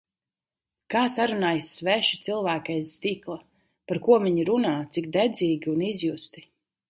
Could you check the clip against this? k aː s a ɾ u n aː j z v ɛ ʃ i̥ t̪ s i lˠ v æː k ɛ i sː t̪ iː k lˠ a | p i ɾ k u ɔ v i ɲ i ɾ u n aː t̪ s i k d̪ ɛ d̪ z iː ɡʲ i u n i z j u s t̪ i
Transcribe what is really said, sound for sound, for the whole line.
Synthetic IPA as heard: k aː s a ɾ u n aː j s v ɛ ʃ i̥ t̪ s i lˠ v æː k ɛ j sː t̪ iː k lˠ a | p a ɾ k u ɔ v i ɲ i ɾ u n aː t̪ s i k d̪ ɛ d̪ z iː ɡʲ i u n i z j u s t̪ i